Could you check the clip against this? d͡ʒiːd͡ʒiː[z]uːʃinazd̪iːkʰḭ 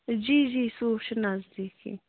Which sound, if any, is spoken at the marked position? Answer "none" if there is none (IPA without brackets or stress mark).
s